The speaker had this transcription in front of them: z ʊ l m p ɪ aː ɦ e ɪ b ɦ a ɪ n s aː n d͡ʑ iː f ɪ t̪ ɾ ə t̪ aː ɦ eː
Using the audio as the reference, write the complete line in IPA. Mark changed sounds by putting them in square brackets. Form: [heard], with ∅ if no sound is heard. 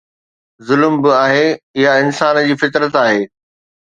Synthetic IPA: z ʊ l m [b] ɪ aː ɦ e ɪ [∅] ɦ a ɪ n s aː n d͡ʑ iː f ɪ t̪ ɾ ə t̪ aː ɦ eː